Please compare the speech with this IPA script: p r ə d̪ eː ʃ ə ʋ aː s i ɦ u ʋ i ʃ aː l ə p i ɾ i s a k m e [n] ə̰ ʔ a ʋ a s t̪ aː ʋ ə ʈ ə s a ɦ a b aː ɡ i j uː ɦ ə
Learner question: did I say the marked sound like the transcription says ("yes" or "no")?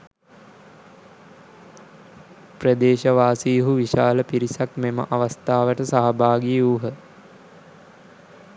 no